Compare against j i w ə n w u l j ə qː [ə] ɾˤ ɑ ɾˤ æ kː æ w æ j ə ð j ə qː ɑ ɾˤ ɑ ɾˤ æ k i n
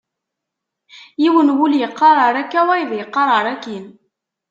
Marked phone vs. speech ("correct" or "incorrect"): incorrect